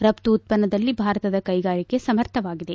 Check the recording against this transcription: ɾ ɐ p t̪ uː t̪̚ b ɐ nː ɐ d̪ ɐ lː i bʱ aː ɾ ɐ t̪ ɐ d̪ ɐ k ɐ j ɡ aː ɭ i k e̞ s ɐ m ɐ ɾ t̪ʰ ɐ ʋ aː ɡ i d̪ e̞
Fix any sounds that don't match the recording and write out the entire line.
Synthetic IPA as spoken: ɾ ɐ p t̪ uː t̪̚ p ɐ nː ɐ d̪ ɐ lː i bʱ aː ɾ ɐ t̪ ɐ d̪ ɐ k ɐ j ɡ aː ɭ i k e̞ s ɐ m ɐ ɾ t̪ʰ ɐ ʋ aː ɡ i d̪ e̞